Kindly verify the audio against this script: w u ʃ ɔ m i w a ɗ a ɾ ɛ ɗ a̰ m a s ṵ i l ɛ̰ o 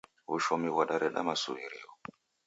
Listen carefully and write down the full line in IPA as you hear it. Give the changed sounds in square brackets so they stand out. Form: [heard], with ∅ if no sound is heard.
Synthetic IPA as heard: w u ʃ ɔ m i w a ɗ a ɾ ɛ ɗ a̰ m a s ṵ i [ɾ] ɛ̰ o